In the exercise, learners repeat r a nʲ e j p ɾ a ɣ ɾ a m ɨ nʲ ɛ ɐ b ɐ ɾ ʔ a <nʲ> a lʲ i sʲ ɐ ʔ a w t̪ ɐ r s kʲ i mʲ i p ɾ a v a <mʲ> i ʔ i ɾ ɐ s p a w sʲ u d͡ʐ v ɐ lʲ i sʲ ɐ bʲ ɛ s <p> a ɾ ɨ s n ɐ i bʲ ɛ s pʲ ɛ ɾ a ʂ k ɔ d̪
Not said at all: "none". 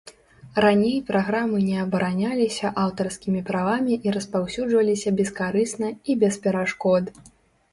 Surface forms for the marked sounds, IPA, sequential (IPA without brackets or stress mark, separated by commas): nʲ, mʲ, k